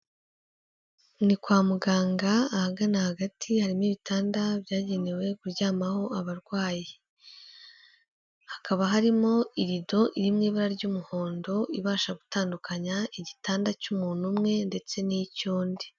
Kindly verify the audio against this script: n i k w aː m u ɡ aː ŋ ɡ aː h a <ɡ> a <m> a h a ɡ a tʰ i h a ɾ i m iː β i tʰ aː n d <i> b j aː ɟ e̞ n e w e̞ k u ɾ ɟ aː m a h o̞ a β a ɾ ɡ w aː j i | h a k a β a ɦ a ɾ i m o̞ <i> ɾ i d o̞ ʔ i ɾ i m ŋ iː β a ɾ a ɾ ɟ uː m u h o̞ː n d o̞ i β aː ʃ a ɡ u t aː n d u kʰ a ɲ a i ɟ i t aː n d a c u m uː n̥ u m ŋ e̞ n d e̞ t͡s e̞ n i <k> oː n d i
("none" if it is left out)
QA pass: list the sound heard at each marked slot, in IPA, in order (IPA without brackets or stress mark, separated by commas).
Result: ɡ, n, a, i, c